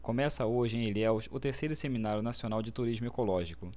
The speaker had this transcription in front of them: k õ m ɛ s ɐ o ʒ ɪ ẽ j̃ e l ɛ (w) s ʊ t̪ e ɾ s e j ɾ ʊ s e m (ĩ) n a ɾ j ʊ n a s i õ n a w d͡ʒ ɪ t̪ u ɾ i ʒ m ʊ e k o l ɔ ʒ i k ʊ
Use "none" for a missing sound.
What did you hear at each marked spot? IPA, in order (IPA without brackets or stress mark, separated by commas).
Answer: w, i